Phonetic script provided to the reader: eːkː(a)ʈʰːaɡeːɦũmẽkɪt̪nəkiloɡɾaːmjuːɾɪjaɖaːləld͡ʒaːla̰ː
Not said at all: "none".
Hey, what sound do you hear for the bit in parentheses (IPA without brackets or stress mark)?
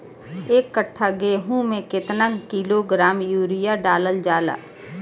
ə